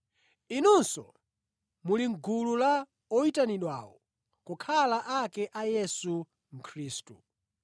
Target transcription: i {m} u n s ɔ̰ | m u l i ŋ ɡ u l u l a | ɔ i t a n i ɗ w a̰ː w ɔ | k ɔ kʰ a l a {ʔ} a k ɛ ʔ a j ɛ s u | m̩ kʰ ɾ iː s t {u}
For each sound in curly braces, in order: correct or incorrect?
incorrect: n, correct, correct

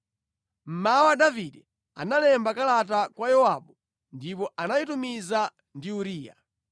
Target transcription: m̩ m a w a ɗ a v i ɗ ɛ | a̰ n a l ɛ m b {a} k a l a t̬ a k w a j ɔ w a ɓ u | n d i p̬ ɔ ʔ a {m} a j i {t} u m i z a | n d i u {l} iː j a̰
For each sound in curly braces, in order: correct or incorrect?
correct, incorrect: n, correct, incorrect: ɾ

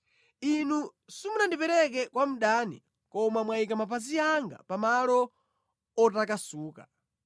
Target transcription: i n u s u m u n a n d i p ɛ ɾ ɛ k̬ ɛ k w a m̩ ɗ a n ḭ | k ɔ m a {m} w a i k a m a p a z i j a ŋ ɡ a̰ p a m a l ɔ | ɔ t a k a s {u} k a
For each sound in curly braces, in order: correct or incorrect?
correct, incorrect: uː

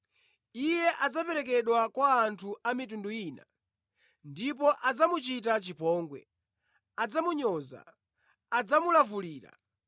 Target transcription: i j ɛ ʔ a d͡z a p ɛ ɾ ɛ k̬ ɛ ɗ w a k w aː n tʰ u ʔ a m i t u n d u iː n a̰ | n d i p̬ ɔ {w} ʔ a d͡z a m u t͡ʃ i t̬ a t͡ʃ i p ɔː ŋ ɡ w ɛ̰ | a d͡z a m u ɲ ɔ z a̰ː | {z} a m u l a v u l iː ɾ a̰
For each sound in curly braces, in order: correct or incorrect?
incorrect: none, incorrect: d͡z

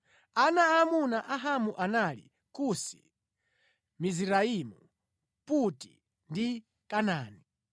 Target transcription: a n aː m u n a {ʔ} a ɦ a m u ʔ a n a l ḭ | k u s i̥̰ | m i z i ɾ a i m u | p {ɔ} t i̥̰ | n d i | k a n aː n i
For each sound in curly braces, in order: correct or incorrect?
correct, incorrect: u

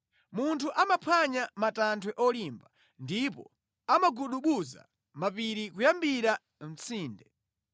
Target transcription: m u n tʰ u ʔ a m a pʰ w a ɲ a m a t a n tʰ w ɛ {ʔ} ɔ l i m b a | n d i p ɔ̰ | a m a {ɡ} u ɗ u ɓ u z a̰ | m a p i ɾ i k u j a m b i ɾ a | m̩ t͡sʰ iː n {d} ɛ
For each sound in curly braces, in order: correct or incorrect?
correct, correct, correct

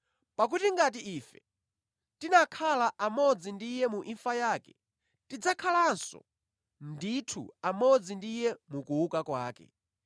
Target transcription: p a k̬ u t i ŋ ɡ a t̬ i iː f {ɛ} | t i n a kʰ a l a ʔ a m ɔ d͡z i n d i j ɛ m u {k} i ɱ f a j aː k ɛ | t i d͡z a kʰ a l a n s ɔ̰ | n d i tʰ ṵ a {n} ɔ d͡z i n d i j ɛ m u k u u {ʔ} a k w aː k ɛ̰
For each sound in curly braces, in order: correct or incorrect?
correct, incorrect: ʔ, incorrect: m, incorrect: k

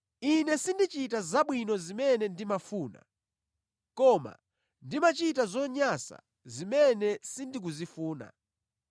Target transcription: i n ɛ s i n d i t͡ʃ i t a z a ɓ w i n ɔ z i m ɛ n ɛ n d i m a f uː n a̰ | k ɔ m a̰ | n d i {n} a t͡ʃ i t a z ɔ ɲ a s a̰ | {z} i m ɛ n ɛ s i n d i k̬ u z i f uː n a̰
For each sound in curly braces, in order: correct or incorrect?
incorrect: m, correct

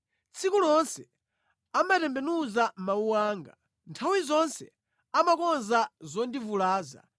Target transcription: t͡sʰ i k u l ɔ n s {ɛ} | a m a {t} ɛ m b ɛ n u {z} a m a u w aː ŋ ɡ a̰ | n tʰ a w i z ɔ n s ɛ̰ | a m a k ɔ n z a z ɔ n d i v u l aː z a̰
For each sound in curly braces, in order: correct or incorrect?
correct, correct, correct

